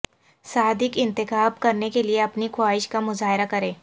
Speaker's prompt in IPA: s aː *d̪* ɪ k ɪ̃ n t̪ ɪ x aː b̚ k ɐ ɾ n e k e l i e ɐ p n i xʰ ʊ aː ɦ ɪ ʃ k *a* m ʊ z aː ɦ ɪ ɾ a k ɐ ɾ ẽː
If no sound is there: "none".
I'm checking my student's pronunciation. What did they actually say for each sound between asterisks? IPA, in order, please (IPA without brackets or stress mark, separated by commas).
d̪, a